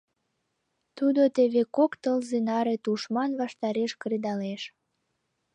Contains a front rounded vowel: no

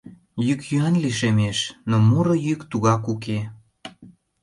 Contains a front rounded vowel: yes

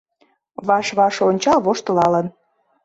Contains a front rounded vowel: no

